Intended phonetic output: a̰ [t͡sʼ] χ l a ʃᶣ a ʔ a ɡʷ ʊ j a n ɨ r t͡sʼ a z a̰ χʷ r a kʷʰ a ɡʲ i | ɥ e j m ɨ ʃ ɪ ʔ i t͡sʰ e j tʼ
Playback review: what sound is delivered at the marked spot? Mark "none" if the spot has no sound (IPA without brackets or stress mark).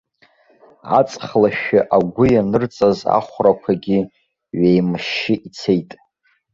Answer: t͡sʼ